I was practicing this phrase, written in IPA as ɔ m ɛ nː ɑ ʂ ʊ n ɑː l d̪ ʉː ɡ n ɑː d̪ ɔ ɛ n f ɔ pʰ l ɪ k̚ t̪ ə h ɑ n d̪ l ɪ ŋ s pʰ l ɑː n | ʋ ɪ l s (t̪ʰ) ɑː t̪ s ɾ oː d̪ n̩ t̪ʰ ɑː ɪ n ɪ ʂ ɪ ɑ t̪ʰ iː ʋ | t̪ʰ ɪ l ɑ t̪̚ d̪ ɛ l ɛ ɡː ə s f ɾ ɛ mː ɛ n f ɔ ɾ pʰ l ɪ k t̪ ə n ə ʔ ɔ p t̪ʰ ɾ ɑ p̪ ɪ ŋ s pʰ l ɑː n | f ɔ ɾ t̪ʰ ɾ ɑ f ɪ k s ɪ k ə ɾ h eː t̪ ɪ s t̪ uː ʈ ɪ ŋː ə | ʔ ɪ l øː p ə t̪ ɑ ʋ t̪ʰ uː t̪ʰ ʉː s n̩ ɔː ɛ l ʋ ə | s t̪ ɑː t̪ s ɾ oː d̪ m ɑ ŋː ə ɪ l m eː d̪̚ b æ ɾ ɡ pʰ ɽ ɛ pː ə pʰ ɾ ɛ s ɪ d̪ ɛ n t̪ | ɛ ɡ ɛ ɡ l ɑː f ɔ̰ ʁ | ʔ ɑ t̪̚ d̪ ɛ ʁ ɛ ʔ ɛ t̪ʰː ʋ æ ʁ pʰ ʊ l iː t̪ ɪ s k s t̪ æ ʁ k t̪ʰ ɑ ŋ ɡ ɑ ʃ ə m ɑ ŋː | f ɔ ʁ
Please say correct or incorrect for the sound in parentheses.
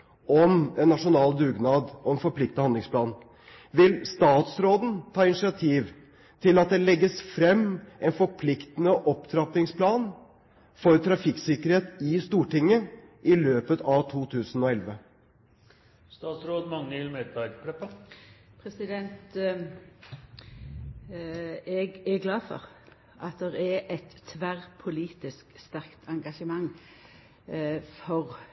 incorrect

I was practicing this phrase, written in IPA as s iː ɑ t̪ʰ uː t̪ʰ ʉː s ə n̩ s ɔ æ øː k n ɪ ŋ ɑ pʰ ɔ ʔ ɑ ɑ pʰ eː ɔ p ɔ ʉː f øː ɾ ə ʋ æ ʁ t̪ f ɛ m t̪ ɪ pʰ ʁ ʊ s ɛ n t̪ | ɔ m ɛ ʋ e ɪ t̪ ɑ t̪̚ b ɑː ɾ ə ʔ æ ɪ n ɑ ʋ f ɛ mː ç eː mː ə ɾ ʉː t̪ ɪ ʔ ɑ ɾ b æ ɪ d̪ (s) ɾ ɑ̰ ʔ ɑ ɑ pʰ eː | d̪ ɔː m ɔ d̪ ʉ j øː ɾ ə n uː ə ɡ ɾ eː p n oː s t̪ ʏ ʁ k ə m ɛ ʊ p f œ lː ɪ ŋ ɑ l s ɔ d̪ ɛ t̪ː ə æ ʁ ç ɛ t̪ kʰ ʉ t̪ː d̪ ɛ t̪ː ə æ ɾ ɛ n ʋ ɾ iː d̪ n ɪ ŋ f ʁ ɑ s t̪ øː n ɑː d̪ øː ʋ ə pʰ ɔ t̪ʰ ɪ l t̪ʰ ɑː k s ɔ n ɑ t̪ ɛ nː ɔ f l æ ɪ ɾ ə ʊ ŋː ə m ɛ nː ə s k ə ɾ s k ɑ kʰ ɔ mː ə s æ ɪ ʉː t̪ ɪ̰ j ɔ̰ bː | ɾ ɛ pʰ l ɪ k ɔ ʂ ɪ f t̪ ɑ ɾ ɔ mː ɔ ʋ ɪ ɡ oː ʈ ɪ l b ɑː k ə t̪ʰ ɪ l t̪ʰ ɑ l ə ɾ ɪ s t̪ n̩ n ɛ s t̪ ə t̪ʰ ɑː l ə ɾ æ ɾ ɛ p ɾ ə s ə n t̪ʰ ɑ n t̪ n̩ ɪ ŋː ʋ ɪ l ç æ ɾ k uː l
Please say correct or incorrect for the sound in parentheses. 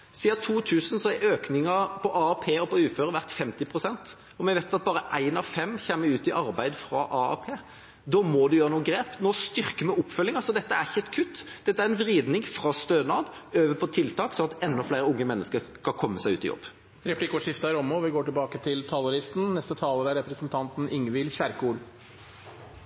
incorrect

